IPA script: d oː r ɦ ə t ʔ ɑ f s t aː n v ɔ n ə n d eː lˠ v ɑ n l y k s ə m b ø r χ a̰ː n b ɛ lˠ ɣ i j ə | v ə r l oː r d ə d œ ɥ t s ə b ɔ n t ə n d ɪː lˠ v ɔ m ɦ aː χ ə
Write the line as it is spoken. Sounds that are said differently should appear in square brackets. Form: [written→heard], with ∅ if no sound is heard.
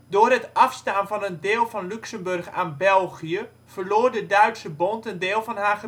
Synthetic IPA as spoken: d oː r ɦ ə t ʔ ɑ f s t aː n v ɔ n ə n d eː lˠ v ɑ n l y k s ə m b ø r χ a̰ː n b ɛ lˠ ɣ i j ə | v ə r l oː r d ə d œ ɥ t s ə b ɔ n t ə n d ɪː lˠ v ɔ [m→n] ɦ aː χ ə